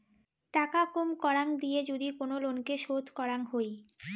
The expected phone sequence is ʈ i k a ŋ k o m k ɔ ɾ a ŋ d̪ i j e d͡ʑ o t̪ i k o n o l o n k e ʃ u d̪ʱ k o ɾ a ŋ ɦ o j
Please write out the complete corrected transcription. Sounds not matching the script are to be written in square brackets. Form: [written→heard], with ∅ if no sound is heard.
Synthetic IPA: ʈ [i→a] k a [ŋ→∅] k o m k ɔ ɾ a ŋ d̪ i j e d͡ʑ o [t̪→d̪] i k o n o l o n k e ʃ [u→o] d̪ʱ k [o→ɔ] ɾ a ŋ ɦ o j